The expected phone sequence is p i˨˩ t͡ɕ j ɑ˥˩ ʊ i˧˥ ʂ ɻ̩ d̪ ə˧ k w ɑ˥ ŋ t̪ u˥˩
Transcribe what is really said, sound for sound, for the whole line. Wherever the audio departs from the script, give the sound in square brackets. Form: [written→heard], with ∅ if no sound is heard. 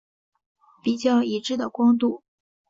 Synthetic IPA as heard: p i˨˩ t͡ɕ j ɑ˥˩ ʊ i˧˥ [ʂ→ʈ͡ʂ] ɻ̩ d̪ [ə˧→ə˩] k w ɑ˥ ŋ t̪ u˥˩